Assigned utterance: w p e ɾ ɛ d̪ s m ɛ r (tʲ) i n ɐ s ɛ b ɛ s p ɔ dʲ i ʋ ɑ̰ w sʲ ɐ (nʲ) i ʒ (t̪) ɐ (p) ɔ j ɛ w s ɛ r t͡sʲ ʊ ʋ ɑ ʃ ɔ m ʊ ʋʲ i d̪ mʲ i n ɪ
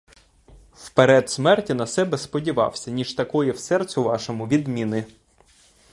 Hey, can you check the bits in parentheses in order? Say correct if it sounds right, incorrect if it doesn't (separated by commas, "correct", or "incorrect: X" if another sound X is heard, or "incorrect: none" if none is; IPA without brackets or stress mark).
correct, correct, correct, incorrect: k